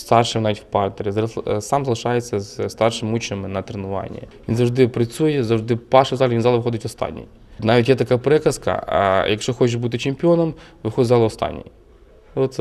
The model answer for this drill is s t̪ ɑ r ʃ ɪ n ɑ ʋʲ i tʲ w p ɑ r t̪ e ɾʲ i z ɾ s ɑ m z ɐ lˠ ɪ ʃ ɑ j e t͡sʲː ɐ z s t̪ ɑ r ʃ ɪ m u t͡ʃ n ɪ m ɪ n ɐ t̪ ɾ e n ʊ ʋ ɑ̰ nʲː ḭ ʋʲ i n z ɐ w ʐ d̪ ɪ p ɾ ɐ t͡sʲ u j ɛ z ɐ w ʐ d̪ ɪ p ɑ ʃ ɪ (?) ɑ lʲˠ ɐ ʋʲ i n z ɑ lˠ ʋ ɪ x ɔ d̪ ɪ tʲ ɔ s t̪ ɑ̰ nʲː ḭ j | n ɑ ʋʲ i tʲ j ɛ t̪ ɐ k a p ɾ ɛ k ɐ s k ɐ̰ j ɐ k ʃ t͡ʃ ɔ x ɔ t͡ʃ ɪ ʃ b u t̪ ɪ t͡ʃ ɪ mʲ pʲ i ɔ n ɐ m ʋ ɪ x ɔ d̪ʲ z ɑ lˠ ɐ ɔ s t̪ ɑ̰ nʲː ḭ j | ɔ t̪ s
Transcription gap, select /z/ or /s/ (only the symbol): z